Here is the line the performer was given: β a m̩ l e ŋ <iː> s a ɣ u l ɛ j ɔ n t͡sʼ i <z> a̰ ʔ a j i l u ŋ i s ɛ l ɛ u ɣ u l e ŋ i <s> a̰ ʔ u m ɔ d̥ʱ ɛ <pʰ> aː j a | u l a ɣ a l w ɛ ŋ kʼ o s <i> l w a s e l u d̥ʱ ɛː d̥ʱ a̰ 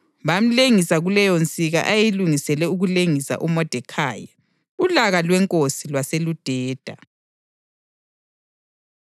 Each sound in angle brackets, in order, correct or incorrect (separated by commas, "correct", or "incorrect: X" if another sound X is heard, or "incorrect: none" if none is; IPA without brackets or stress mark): incorrect: i, incorrect: ɣ, correct, incorrect: kʰ, correct